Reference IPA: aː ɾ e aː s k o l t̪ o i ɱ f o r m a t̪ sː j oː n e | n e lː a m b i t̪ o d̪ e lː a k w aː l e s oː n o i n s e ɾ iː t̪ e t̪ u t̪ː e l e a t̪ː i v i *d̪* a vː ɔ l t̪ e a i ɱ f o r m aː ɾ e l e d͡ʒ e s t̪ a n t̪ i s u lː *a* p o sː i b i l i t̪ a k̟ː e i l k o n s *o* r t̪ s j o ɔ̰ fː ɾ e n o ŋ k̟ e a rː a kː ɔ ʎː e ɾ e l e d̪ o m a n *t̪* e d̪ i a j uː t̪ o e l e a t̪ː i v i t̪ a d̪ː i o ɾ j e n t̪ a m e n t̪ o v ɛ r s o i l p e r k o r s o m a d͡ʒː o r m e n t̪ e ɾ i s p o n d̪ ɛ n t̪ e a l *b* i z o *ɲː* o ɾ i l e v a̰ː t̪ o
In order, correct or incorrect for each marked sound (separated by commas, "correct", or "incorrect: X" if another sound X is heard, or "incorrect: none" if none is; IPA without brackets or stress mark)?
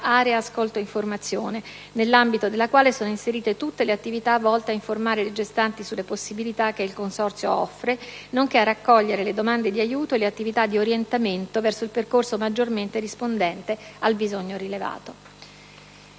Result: incorrect: t̪, incorrect: e, incorrect: ɔ, incorrect: d̪, correct, correct